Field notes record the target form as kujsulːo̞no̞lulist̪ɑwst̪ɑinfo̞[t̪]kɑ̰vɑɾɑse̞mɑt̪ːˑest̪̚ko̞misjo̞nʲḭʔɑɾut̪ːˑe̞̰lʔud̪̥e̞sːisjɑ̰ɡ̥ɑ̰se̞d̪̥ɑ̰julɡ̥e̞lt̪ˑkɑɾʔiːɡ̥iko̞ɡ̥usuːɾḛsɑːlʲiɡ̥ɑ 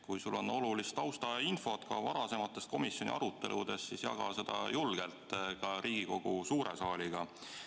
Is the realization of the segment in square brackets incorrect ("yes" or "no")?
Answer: no